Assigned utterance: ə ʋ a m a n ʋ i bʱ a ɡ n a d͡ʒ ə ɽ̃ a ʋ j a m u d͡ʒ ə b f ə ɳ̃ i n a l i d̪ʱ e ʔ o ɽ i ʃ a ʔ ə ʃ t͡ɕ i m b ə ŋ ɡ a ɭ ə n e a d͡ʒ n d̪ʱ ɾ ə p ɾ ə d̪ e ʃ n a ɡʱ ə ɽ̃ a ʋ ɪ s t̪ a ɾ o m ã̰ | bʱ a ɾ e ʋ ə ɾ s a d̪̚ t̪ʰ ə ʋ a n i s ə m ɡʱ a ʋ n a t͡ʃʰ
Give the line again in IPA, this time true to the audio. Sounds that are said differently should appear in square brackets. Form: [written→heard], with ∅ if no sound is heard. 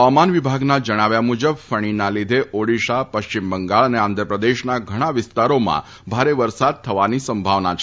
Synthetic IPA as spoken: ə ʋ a m a n ʋ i bʱ a ɡ n a d͡ʒ ə ɽ̃ a ʋ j a m u d͡ʒ ə b f ə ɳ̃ i n a l i d̪ʱ e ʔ o ɽ i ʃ a [ʔ→p] ə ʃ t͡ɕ i m b ə ŋ ɡ a ɭ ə n e a [d͡ʒ→∅] n d̪ʱ ɾ ə p ɾ ə d̪ e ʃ n a ɡʱ ə ɽ̃ a ʋ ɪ s t̪ a ɾ o m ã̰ | bʱ a ɾ e ʋ ə ɾ s a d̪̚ t̪ʰ ə ʋ a n i s ə m [ɡʱ→bʱ] a ʋ n a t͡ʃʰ